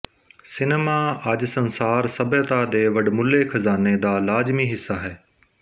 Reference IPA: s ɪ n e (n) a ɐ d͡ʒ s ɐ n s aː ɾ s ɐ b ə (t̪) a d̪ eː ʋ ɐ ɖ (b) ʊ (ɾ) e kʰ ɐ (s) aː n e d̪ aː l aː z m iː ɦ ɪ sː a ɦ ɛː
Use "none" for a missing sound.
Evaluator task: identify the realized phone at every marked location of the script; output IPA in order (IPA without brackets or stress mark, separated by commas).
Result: m, t̪, m, l, z